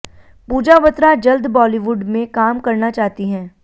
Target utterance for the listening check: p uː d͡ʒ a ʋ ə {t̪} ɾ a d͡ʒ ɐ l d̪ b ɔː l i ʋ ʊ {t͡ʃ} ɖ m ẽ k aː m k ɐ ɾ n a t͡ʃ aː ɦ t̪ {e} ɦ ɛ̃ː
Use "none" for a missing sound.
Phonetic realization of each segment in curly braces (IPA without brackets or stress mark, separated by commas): t̪, none, i